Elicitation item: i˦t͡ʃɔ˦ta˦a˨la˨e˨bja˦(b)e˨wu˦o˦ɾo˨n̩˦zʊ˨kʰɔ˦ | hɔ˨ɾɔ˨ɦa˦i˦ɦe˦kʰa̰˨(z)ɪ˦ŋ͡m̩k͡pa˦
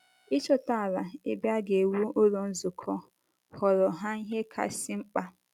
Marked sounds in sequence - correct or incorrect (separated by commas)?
incorrect, incorrect